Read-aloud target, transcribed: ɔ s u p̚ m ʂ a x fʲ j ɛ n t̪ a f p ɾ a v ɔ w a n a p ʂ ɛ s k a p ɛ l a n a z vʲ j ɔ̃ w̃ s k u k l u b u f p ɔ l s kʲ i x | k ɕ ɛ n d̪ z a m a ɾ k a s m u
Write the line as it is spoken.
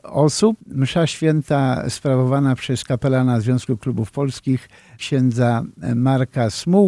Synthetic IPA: ɔ s u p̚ m ʂ a ɕ fʲ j ɛ n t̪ a s p ɾ a v ɔ v a n a p ʂ ɛ s k a p ɛ l a n a z vʲ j ɔ̃ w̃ s k u k l u b u f p ɔ l s kʲ i x | k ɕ ɛ n d̪ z a m a ɾ k a s m u